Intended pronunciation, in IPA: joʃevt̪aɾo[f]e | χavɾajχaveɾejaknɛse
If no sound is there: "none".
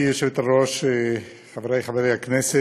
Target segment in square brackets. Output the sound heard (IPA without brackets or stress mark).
ʃ